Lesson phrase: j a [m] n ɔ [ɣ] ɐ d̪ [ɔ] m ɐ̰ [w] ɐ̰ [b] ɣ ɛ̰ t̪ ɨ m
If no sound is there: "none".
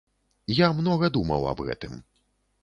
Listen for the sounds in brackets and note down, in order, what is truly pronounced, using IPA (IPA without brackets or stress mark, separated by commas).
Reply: m, ɣ, u, w, b